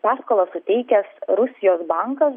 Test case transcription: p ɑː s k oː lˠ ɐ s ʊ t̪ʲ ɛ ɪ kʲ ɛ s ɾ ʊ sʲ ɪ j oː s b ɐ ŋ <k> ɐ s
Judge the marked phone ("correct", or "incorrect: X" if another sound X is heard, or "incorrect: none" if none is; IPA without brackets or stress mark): correct